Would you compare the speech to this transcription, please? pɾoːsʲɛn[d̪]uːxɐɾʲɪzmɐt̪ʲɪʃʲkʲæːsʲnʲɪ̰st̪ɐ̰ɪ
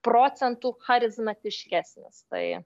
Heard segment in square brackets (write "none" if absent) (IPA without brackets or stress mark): t̪